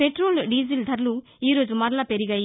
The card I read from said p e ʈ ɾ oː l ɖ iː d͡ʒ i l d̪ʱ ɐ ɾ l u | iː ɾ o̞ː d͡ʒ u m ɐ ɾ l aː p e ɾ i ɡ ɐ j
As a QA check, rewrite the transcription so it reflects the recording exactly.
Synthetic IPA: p e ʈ ɾ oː l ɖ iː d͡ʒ i l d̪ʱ ɐ ɾ l u | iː ɾ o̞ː d͡ʒ u m ɐ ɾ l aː p e ɾ i ɡ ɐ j